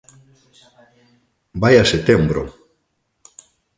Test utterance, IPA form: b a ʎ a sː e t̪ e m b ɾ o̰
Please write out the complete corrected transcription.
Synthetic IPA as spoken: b a j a s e t̪ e m b ɾ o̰